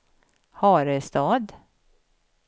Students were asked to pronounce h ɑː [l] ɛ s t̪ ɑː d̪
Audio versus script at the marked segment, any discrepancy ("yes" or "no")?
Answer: yes